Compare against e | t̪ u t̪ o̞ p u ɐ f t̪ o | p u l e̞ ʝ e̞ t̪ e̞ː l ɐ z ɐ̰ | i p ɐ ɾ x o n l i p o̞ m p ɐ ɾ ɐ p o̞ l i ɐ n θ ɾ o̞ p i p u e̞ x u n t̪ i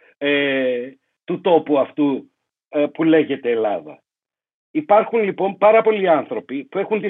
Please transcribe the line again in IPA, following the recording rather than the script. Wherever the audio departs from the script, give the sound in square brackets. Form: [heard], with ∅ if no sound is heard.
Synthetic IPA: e | t̪ u t̪ o̞ p u ɐ f t̪ [u] | p u l e̞ ʝ e̞ t̪ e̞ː l ɐ [ð] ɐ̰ | i p ɐ ɾ x [u] n l i p o̞ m p ɐ ɾ ɐ p o̞ l i ɐ n θ ɾ o̞ p i p u e̞ x u n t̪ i